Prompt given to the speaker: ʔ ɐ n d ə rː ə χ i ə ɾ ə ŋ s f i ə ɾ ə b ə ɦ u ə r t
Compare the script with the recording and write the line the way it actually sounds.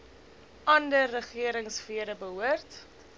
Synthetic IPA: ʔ ɐ n d ə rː ə χ i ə ɾ ə ŋ s f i ə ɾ ə b ə ɦ u ə r t